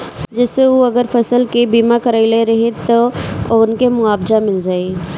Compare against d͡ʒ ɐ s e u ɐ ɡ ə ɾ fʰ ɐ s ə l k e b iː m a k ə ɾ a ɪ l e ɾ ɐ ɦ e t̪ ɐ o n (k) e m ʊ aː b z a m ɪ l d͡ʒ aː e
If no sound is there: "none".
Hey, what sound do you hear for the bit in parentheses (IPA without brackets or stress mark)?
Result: k